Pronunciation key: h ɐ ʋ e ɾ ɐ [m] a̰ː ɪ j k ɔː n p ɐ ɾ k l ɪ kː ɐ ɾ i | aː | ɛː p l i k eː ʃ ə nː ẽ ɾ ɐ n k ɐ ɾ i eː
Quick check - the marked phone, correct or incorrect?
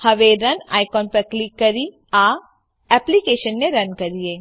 incorrect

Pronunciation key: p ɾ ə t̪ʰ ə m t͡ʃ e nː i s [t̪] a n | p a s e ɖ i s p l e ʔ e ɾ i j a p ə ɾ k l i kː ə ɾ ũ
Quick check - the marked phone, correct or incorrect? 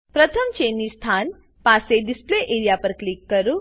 incorrect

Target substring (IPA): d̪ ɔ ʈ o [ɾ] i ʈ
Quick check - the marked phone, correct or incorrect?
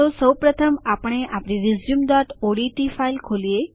incorrect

